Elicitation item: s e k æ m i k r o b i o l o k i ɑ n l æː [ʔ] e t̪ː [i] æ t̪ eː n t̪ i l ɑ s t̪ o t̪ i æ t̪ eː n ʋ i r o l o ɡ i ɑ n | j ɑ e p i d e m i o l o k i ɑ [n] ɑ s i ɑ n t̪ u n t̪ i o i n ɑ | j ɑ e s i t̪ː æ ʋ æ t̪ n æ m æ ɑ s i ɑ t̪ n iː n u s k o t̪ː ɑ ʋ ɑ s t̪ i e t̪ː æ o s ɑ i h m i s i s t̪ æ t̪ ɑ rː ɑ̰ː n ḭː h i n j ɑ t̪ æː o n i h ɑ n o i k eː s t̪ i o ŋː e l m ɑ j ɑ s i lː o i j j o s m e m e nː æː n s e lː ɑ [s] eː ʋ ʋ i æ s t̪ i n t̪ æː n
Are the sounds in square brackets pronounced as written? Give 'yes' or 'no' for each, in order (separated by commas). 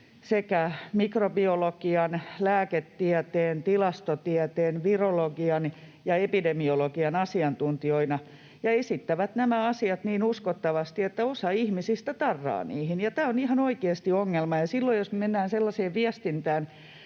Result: no, yes, yes, yes